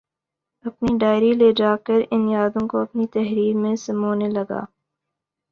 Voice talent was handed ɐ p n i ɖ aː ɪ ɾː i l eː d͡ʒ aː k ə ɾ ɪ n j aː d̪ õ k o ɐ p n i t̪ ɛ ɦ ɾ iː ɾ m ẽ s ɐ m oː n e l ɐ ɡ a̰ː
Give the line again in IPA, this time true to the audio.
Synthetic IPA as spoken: ɐ p n i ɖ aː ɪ ɾ i l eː d͡ʒ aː k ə ɾ ɪ n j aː d̪ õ k o ɐ p n i t̪ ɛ ɦ ɾ iː ɾ m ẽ s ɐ m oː n e l ɐ ɡ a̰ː